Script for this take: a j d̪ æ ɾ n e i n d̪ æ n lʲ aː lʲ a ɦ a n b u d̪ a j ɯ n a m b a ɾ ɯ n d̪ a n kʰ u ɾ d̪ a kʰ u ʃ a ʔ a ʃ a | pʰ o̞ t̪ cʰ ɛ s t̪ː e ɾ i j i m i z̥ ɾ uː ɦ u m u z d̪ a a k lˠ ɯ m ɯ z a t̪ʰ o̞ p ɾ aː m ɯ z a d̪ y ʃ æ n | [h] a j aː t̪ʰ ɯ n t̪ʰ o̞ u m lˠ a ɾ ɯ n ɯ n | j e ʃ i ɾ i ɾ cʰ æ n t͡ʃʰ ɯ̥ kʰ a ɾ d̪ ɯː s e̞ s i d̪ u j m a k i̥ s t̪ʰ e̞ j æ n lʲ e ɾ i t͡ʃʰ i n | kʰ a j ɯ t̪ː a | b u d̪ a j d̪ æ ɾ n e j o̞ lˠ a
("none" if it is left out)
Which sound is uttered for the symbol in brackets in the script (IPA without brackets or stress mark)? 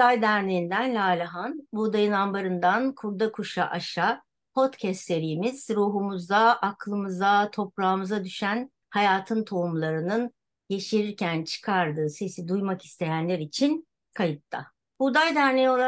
h